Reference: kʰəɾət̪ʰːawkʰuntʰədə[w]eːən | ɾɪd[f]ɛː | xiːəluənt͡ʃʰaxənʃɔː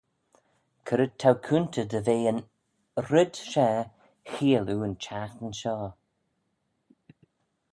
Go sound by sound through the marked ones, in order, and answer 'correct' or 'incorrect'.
incorrect, incorrect

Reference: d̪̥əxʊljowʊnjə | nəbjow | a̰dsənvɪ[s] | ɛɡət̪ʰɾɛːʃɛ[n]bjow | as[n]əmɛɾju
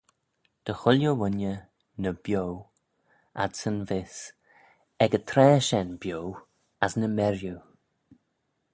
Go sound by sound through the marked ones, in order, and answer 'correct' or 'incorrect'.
correct, correct, correct

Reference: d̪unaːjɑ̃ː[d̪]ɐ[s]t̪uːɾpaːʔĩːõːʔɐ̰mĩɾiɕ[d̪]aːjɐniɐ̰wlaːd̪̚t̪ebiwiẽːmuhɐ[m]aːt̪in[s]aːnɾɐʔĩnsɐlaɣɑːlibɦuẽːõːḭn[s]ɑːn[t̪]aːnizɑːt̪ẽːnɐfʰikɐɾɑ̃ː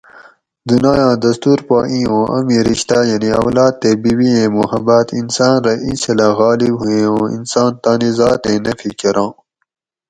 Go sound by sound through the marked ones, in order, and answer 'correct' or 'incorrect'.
correct, correct, incorrect, incorrect, correct, correct, correct

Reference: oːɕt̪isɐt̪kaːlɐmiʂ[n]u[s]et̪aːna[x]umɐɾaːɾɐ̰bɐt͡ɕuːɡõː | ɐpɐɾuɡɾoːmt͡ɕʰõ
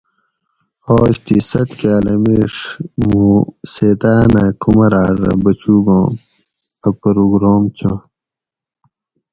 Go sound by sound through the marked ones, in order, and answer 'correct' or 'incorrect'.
incorrect, correct, incorrect

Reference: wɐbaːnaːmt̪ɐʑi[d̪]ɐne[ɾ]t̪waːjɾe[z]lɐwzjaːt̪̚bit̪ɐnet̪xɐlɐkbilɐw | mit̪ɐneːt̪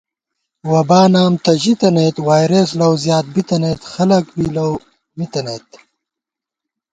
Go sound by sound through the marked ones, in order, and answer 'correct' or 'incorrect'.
incorrect, incorrect, incorrect

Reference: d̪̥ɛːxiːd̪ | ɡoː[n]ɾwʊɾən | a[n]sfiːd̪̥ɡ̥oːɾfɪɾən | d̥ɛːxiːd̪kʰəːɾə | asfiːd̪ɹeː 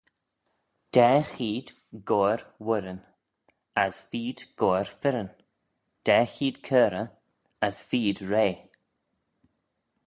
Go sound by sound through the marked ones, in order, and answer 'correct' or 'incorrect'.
incorrect, incorrect

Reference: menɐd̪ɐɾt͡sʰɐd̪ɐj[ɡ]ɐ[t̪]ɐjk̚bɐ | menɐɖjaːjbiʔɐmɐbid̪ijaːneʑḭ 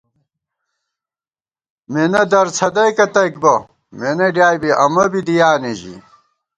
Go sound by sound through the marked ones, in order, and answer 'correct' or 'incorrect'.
incorrect, correct

